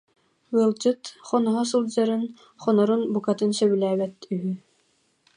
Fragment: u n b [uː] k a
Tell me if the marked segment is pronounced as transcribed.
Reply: no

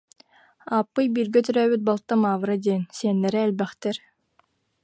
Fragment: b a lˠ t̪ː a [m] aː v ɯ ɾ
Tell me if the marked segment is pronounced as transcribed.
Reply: yes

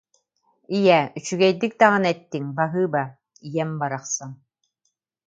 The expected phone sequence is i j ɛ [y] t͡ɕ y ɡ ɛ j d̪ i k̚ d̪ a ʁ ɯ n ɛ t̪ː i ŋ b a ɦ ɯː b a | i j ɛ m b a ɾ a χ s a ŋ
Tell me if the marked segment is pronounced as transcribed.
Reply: yes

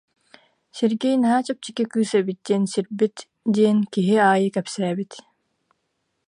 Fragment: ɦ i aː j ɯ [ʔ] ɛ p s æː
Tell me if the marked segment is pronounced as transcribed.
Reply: no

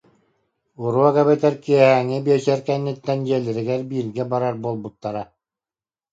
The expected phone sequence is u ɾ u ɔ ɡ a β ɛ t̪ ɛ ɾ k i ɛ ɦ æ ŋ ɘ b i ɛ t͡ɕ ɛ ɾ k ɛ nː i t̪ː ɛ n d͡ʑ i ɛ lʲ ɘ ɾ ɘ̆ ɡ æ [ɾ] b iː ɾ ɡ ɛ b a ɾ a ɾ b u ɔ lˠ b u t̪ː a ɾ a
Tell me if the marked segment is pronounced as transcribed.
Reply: yes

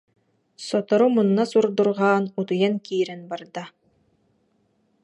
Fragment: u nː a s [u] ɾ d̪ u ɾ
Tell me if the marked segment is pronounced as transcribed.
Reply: yes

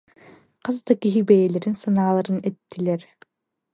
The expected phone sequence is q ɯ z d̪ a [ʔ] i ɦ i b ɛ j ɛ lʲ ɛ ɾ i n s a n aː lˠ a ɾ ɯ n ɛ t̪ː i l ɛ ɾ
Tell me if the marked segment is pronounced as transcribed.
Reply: no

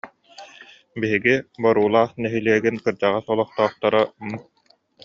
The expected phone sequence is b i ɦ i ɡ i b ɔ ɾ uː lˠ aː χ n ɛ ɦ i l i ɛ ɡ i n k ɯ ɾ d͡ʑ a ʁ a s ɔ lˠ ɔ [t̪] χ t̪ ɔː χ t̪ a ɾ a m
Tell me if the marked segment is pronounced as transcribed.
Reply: no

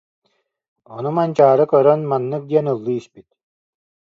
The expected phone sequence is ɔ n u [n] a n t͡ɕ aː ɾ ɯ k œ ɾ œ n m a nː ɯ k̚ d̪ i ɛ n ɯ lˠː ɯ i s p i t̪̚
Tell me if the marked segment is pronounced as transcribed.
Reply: no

